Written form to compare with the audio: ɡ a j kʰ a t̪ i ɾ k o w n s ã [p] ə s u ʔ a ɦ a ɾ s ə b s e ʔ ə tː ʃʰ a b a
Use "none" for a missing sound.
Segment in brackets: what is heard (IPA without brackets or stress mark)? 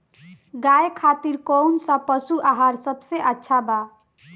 p